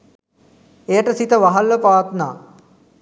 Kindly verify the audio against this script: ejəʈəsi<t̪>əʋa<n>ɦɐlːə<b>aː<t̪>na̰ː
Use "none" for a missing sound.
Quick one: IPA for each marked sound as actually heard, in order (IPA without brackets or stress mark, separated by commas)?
t̪, none, p, t̪